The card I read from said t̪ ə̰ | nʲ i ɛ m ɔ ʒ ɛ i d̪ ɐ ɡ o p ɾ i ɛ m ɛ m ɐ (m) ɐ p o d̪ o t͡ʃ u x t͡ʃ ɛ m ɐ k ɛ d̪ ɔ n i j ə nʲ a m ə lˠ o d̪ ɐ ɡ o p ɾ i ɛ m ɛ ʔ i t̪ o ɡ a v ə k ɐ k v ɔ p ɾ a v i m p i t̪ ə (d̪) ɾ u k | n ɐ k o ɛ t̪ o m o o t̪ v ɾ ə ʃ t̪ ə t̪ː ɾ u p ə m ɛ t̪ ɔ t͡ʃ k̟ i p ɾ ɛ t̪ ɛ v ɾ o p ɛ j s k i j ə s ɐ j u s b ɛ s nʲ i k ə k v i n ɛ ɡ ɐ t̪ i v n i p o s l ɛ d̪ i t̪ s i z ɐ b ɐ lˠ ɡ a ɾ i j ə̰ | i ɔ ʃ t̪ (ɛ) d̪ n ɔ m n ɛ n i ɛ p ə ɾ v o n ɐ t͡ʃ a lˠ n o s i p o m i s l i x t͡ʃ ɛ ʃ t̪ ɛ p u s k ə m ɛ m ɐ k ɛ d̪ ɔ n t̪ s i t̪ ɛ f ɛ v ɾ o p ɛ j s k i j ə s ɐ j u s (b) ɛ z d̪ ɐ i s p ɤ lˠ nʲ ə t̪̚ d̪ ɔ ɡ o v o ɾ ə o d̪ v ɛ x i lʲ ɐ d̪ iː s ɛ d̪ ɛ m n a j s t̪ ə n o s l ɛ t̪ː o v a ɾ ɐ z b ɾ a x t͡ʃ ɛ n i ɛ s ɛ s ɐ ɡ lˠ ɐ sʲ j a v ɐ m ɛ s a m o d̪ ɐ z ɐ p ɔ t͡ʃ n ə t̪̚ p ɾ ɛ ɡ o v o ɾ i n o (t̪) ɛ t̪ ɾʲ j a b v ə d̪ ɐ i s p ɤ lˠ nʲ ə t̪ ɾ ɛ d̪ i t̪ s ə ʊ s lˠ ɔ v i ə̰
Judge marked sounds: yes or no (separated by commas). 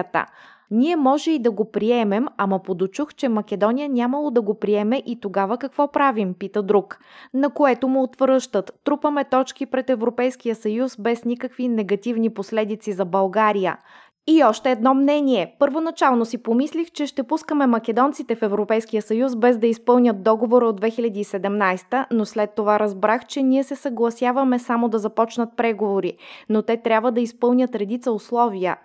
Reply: yes, yes, no, yes, yes